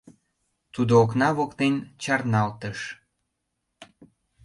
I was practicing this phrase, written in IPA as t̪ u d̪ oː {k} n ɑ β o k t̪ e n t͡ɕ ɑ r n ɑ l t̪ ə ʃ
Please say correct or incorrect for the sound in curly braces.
correct